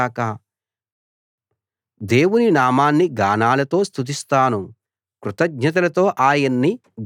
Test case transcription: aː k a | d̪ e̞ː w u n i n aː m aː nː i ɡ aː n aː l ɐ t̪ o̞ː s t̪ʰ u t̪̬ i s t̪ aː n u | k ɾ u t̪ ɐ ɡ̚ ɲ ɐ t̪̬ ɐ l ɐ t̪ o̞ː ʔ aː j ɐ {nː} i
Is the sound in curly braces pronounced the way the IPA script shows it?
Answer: yes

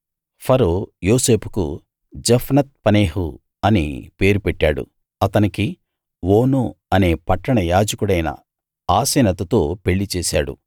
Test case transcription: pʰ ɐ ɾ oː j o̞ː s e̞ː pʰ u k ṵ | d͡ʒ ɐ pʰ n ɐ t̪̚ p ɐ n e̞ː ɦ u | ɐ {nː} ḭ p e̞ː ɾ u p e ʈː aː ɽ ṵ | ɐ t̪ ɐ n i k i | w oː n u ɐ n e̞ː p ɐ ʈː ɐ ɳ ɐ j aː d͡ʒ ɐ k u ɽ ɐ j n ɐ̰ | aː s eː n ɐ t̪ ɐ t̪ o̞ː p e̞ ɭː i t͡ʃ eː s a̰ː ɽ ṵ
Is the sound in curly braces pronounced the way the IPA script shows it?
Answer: no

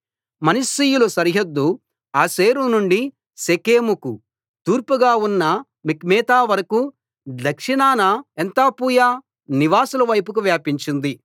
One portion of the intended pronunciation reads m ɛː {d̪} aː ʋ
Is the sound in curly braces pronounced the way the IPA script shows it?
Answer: no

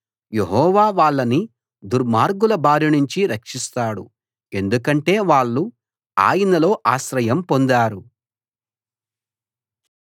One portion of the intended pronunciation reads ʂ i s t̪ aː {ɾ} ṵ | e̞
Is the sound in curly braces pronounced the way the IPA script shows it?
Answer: no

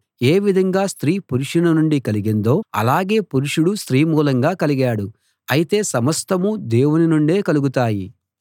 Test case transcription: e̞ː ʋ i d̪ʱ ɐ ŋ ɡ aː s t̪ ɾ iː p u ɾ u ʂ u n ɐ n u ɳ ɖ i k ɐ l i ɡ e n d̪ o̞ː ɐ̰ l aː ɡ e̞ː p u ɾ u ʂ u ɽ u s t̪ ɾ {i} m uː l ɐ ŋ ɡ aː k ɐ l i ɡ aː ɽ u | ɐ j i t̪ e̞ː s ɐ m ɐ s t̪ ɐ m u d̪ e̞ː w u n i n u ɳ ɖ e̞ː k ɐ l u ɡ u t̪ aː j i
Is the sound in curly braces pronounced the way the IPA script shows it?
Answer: no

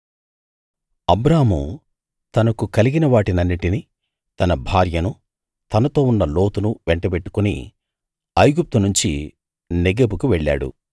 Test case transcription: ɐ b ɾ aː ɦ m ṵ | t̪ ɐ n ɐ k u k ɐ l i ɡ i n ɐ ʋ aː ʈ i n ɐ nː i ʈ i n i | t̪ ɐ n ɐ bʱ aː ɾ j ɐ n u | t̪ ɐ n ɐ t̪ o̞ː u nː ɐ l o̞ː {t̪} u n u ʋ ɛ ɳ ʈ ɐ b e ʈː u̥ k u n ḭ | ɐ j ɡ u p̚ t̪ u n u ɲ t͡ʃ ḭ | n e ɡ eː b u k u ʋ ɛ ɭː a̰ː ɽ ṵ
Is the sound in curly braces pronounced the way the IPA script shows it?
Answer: yes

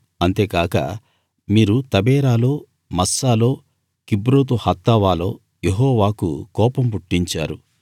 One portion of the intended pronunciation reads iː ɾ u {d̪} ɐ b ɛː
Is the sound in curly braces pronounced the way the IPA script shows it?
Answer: no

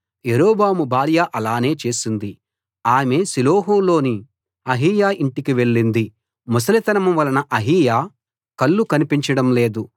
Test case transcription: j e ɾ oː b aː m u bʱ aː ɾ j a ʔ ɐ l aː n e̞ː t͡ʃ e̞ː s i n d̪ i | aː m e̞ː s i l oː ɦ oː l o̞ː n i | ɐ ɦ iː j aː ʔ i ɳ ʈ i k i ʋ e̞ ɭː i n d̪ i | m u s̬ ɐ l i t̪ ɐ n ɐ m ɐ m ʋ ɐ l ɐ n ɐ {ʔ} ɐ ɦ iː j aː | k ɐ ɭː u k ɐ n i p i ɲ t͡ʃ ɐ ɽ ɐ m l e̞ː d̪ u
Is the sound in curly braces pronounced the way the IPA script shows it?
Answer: yes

